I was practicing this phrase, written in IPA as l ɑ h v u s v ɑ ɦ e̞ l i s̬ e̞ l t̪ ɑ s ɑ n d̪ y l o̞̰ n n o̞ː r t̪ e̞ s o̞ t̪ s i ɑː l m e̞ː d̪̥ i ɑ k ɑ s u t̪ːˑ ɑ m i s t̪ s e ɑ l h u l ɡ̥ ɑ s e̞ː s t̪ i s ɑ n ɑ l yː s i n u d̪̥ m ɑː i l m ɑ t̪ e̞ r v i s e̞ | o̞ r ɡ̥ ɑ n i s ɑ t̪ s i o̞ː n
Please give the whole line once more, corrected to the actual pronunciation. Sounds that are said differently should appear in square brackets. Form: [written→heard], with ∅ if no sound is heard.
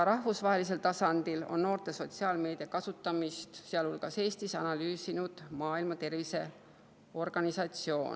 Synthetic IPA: [l→ɾ] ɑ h v u s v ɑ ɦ e̞ l i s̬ e̞ l t̪ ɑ s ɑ n d̪ [y→i] l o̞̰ n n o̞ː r t̪ e̞ s o̞ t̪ s i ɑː l m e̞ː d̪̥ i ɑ k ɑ s u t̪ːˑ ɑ m i s t̪ s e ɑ l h u l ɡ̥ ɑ s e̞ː s t̪ i s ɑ n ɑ l yː s i n u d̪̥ m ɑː i l m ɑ t̪ e̞ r v i s e̞ | o̞ r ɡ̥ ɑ n i s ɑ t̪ s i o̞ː n